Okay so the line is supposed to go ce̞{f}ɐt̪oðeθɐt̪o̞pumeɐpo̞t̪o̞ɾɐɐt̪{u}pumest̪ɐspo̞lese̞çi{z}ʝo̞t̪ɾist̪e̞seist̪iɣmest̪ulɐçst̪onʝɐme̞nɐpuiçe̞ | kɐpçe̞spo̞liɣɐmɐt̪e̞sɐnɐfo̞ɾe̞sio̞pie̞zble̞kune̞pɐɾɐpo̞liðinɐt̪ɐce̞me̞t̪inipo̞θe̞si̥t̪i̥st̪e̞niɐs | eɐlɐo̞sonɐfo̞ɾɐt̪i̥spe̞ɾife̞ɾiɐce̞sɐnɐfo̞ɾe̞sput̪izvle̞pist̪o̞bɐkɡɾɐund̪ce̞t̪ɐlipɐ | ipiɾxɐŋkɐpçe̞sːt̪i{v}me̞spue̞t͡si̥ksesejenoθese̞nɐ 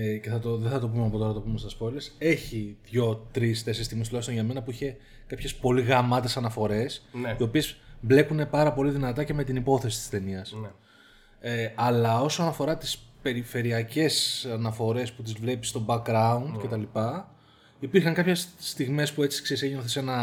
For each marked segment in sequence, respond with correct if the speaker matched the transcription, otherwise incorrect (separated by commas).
incorrect, incorrect, incorrect, incorrect